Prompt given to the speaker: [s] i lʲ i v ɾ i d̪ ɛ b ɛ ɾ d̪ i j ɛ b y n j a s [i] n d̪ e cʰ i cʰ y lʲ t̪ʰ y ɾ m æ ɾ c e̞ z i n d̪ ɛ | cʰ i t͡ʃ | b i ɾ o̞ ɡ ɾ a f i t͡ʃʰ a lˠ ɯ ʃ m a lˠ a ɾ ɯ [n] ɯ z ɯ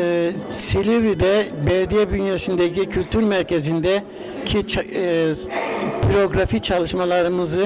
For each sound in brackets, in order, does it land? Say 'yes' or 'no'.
yes, yes, no

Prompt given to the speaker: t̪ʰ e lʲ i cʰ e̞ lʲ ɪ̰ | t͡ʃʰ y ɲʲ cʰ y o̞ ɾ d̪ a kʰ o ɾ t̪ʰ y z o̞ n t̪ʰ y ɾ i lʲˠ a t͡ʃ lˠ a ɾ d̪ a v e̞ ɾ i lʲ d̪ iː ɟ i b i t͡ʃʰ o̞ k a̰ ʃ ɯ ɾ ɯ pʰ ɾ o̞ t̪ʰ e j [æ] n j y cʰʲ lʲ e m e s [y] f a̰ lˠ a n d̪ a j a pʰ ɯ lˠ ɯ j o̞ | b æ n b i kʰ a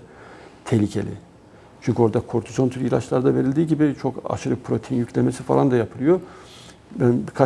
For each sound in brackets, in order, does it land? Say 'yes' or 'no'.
no, no

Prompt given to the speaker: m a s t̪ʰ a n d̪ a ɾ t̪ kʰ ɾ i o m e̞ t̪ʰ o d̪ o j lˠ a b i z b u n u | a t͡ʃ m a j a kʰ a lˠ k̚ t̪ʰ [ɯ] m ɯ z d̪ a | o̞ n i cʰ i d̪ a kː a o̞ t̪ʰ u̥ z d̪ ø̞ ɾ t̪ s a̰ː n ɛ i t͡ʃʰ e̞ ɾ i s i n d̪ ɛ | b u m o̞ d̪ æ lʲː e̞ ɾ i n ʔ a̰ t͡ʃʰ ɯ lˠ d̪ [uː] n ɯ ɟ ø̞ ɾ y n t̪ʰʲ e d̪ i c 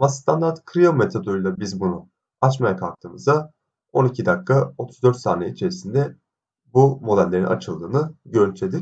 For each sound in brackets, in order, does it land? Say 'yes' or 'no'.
no, no

